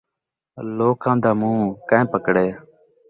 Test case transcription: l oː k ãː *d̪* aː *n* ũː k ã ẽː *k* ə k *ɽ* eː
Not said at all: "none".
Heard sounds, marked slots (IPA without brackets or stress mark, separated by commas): d̪, m, p, ɽ